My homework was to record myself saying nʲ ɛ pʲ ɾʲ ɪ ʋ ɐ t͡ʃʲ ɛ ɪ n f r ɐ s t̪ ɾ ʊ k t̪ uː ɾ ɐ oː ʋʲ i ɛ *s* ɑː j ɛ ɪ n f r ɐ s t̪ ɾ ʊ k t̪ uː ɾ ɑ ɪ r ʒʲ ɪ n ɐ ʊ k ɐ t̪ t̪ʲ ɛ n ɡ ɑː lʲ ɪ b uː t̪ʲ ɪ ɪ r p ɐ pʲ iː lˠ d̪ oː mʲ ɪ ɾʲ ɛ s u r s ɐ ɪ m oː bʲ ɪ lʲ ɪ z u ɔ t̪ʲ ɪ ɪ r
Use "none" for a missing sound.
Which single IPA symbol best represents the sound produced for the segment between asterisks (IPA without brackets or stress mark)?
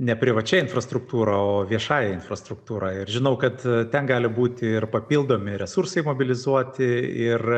ʃ